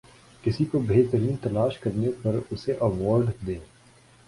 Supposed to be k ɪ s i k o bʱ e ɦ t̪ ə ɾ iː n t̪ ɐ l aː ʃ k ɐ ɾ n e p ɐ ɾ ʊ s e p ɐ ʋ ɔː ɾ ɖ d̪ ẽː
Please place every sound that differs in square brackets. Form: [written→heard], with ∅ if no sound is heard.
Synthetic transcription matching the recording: k ɪ s i k o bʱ e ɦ t̪ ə ɾ iː n t̪ ɐ l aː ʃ k ɐ ɾ n e p ɐ ɾ ʊ s e [p→ʔ] ɐ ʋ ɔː ɾ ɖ d̪ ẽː